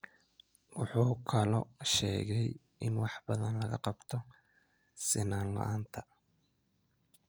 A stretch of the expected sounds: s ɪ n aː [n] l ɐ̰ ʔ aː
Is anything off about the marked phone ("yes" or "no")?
no